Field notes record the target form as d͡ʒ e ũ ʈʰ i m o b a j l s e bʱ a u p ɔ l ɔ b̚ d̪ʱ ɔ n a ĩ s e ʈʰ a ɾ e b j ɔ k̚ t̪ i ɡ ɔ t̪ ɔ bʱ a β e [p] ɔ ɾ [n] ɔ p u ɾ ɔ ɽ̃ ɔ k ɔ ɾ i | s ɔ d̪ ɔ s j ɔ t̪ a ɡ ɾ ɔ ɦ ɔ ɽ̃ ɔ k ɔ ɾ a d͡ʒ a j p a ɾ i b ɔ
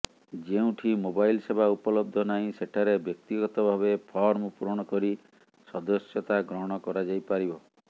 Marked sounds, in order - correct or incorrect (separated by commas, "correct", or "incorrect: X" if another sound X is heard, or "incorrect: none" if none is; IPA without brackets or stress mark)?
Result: incorrect: pʰ, incorrect: m